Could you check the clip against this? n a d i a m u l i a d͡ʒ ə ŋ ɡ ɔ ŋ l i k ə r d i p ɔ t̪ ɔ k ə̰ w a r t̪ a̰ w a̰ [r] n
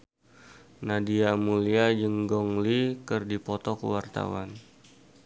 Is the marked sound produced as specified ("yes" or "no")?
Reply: no